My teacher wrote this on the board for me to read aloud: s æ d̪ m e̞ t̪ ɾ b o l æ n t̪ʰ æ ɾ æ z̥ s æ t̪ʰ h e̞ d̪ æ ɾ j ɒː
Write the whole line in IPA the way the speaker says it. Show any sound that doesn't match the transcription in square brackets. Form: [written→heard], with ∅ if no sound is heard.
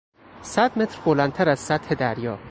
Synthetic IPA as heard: s æ d̪ m e̞ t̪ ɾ b o l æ n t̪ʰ æ ɾ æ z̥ s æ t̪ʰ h e̞ d̪ æ ɾ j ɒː